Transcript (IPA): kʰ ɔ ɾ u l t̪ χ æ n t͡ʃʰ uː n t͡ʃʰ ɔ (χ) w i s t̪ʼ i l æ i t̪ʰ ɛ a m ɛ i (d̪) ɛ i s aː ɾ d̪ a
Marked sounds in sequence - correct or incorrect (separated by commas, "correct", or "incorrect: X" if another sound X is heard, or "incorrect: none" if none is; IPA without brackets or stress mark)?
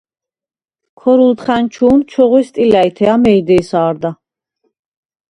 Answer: incorrect: ʁ, correct